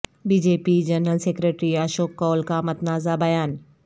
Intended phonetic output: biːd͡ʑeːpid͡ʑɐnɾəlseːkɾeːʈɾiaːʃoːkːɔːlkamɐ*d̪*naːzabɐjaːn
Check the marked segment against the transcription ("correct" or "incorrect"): incorrect